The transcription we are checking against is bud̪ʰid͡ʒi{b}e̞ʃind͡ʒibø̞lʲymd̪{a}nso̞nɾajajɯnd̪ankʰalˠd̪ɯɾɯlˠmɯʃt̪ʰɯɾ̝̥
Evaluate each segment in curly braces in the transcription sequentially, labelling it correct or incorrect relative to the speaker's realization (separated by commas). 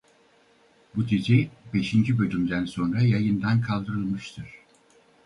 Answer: correct, incorrect